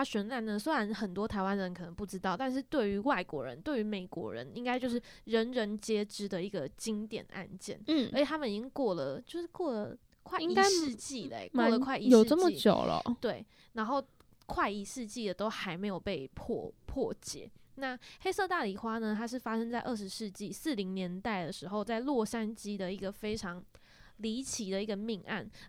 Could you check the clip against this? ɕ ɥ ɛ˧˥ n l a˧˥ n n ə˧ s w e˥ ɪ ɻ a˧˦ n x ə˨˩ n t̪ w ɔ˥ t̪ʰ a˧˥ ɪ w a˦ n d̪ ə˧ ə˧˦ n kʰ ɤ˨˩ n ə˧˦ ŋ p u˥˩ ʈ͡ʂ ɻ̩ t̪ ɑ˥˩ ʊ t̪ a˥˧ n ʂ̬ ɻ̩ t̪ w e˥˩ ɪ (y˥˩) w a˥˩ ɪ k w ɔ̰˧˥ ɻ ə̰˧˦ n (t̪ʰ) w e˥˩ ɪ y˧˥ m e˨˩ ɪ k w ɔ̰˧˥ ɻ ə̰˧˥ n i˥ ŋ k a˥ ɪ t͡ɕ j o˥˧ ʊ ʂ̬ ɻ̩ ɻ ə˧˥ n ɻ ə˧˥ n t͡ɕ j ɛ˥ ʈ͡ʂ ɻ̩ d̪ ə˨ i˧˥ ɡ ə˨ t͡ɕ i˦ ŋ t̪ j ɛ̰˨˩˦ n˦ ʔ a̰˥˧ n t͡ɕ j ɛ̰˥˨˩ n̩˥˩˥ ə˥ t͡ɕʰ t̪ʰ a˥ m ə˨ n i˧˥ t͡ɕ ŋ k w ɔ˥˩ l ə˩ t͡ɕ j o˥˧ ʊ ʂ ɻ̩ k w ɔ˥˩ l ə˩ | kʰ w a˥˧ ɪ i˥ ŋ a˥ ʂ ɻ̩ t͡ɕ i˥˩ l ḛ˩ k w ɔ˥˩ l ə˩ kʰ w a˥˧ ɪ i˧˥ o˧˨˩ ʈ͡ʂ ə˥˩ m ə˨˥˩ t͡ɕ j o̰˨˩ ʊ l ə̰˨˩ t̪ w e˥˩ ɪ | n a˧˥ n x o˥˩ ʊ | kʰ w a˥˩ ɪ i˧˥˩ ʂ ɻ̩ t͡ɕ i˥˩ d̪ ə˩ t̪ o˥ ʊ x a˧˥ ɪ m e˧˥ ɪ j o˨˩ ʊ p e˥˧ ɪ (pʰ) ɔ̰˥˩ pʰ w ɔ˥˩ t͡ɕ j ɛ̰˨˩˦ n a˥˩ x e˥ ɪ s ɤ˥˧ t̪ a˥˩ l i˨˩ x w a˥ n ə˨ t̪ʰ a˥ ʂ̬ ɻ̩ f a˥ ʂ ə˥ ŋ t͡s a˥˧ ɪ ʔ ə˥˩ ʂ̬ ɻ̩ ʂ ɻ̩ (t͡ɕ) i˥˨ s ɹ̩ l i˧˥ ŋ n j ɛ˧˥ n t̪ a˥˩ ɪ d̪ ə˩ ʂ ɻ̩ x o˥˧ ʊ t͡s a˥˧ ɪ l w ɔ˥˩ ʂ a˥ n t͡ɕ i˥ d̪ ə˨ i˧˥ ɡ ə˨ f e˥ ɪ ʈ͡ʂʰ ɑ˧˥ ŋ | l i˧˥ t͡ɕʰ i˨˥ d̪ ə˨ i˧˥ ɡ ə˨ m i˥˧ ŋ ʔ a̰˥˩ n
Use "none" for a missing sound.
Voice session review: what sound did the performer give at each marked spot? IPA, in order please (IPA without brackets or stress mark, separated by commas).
y˧˥, t̪, pʰ, t͡ɕ